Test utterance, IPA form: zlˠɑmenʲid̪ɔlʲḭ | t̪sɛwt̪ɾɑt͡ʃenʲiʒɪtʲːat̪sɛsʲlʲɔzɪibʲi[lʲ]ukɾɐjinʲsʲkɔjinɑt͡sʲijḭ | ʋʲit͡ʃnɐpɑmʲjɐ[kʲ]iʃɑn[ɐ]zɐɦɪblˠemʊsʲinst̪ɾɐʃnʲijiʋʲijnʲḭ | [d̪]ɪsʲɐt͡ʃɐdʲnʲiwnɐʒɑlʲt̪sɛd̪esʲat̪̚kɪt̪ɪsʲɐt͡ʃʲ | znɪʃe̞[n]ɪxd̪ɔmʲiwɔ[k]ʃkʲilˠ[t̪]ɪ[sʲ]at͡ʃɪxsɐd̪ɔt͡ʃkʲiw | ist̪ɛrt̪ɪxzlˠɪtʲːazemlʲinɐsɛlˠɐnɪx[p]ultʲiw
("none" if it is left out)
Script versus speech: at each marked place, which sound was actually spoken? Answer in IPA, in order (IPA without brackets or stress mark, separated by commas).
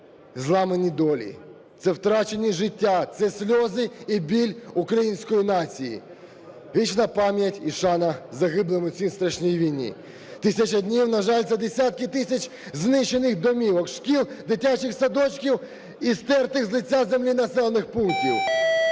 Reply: lʲ, tʲ, ɐ, t̪, n, k, d̪, tʲ, p